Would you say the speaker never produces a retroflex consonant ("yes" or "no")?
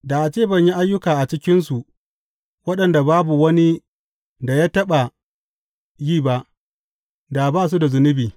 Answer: yes